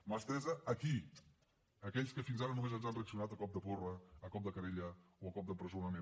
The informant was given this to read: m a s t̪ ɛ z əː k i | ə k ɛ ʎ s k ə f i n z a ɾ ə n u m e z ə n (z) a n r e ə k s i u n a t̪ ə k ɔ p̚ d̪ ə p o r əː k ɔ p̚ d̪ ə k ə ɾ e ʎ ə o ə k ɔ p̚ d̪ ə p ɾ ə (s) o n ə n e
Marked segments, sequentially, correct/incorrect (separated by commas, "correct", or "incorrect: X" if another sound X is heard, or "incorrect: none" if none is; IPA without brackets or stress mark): correct, incorrect: z